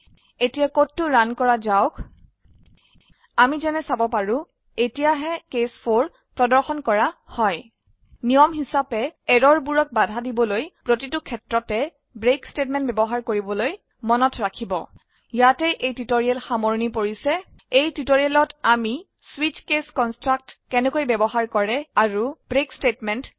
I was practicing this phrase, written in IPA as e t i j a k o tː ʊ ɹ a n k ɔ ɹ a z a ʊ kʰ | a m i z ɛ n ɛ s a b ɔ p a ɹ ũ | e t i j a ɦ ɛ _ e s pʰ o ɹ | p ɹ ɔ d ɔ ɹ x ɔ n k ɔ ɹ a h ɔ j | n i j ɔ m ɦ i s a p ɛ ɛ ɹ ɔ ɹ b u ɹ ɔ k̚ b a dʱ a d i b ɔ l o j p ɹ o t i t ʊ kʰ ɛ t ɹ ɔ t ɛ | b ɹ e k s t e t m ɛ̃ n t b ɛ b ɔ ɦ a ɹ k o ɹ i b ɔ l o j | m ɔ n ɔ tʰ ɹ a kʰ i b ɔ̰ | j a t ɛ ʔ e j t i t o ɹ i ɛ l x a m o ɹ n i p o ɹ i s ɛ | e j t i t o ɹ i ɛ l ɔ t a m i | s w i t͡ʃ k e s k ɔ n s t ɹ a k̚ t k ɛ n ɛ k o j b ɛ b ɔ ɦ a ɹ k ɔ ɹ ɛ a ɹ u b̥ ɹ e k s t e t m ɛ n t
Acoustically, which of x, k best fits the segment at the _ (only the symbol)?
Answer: k